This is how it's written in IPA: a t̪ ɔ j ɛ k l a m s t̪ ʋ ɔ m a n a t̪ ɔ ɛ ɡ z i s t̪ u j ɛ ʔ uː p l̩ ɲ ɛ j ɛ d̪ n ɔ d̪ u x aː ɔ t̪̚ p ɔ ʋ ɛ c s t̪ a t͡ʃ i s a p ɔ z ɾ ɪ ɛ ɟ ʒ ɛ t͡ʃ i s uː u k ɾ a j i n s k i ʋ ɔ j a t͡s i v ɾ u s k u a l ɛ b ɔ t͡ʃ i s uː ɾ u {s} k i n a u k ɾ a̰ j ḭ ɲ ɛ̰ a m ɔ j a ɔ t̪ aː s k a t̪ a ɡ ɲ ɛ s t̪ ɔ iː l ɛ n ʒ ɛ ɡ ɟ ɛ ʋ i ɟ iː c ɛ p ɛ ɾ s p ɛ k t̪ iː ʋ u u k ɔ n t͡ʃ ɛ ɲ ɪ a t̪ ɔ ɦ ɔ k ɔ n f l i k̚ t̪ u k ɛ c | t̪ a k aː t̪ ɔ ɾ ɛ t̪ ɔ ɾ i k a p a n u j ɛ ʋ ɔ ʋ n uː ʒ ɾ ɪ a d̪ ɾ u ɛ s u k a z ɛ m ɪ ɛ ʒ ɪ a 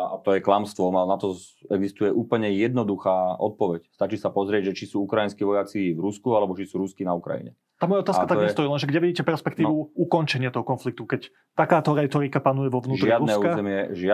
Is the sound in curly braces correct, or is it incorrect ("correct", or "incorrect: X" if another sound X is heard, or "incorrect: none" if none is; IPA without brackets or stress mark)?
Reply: correct